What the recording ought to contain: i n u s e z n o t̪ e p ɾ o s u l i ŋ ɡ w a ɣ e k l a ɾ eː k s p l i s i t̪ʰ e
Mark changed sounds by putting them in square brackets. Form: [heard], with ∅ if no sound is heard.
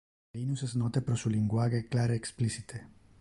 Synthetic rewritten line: i n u s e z n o t̪ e p ɾ o s u l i ŋ ɡ w a ɣ e k l a ɾ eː k s p l i s i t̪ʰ e

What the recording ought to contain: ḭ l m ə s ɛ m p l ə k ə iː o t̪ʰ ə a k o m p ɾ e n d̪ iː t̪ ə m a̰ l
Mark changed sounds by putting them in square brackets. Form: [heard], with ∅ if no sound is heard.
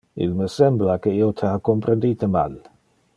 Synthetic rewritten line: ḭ l m ə s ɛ m [b] l [a] k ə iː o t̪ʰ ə a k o m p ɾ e n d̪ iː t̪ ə m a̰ l

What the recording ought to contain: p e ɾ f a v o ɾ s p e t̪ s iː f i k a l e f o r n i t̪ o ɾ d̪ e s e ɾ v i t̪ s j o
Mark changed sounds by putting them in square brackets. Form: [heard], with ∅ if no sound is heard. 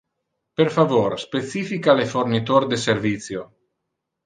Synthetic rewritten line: p e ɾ f a v o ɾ s p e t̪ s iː f i k a l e f o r n i t̪ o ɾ d̪ e s e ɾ v i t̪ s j o

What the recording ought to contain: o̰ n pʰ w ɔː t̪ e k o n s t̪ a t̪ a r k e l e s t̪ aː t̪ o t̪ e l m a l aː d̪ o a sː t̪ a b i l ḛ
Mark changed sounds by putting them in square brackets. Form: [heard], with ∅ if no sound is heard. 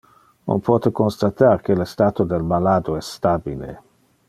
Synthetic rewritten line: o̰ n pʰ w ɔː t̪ e k o n s t̪ a t̪ a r k e l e s t̪ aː t̪ o [d̪] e l m a l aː d̪ o [ɛ] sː t̪ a b i l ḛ

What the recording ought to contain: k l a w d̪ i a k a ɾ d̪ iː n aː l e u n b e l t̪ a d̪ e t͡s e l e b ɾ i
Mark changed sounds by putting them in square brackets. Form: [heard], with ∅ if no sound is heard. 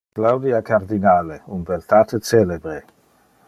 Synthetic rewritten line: k l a w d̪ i a k a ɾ d̪ [i] n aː l e u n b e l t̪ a [t̪] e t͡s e l e b ɾ [e]

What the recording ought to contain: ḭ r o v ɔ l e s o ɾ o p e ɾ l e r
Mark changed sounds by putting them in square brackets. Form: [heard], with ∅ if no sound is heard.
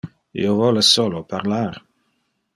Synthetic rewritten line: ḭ [∅] o v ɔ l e s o [l] o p [a] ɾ l [a] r

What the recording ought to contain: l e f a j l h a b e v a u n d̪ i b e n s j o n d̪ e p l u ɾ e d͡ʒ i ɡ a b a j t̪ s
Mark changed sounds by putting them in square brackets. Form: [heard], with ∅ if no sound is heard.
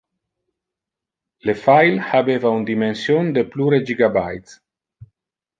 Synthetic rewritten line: l e f a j l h a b e v a u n d̪ i [m] e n s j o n d̪ e p l u ɾ e d͡ʒ i ɡ a b a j t̪ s

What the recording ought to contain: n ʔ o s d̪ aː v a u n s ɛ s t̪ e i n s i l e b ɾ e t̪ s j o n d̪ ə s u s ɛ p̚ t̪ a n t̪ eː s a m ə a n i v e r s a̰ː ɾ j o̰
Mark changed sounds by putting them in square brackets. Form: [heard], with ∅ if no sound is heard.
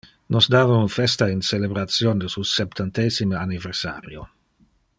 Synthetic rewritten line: n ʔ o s d̪ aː v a u n [f] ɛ s t̪ [a] i n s [e] l e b ɾ [a] t̪ s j o n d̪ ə s u s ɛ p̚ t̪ a n t̪ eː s [i] m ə a n i v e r s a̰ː ɾ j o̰

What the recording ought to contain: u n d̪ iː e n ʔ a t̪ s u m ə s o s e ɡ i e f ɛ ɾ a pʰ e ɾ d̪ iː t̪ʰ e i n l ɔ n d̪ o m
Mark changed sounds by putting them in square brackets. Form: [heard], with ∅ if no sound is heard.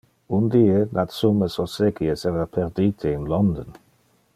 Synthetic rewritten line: u n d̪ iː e n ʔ a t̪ s u m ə s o s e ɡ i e [s] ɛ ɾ a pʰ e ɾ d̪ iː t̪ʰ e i n l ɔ n d̪ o [n]

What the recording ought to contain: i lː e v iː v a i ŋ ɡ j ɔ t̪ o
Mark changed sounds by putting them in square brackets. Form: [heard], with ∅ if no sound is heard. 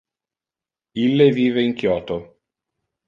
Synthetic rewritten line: i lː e v iː v [e] i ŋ [k] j [ɔː] t̪ o

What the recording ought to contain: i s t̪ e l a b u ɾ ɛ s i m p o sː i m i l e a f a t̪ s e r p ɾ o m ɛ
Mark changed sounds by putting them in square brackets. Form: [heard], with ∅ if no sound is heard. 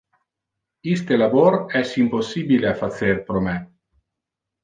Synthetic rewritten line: i s t̪ e l a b [o] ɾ ɛ s i m p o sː i [b] i l e a f a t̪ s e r p ɾ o m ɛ

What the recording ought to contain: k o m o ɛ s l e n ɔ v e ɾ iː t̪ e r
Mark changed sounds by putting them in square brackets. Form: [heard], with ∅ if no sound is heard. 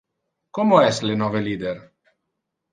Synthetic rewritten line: k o m o ɛ s l e n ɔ v e [l] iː [d̪] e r

